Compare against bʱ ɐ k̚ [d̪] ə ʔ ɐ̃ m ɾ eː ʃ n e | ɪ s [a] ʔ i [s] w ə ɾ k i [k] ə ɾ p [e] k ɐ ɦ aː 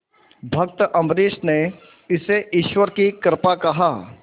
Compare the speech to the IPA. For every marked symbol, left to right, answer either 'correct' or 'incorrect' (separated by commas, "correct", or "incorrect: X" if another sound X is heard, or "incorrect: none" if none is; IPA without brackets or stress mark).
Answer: incorrect: t̪, incorrect: e, incorrect: ʃ, correct, incorrect: a